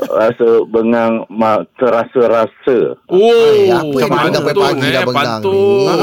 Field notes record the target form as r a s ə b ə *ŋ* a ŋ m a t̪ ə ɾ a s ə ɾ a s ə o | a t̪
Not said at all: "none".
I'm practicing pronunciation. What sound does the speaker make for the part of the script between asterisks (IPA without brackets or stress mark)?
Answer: ŋ